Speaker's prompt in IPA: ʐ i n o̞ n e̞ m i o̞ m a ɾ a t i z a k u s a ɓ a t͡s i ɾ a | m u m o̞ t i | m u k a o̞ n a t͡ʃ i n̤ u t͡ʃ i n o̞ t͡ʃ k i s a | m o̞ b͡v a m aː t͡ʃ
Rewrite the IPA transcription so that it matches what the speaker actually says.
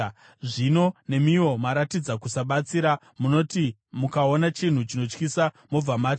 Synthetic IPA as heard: ʐ i n o̞ n e̞ m i o̞ m a ɾ a t i d͡z a k u s a ɓ a t͡s i ɾ a | m u n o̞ t i | m u k a o̞ n a t͡ʃ i n̤ u t͡ʃ i n o̞ t͡ʃ k i s a | m o̞ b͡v a m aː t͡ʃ

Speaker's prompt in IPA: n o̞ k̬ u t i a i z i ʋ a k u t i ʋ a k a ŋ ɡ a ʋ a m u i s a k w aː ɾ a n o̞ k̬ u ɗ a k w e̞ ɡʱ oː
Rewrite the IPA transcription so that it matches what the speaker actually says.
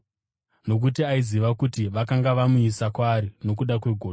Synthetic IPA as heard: n o̞ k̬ u t i a i z i ʋ a k u t i ʋ a k a ŋ ɡ a ʋ a m u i s a k w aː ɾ i n o̞ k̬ u ɗ a k w e̞ ɡʱ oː

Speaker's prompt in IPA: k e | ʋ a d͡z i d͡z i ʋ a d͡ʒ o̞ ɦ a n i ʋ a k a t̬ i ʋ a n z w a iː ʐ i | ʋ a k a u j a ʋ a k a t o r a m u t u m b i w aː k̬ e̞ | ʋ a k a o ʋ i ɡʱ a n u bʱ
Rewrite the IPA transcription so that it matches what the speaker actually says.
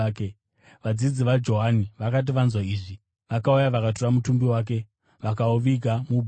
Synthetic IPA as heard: k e | ʋ a d͡z i d͡z i ʋ a d͡ʒ o̞ ɦ a n i ʋ a k a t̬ i ʋ a n z w a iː ʐ i | ʋ a k a u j a ʋ a k a t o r a m u t u m b i w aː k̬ e̞ | ʋ a k a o ʋ i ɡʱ a m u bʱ

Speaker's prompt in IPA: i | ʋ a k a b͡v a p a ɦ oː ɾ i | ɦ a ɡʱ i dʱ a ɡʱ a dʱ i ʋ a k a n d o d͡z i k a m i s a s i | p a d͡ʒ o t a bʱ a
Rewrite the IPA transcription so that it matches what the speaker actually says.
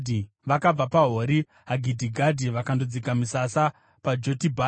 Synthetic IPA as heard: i | ʋ a k a b͡v a p a ɦ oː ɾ i | ɦ a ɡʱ i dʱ i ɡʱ a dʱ i ʋ a k a n d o d͡z i k a m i s a s a | p a d͡ʒ o t i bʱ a

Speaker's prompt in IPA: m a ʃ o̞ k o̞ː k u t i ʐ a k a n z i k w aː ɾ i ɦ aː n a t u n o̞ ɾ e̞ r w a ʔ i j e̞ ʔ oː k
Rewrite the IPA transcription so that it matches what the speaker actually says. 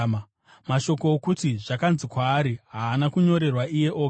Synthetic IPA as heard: m a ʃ o̞ k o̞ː k u t i ʐ a k a n z i k w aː ɾ i ɦ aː n a k u ɲ o̞ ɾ e̞ r w a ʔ i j e̞ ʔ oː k

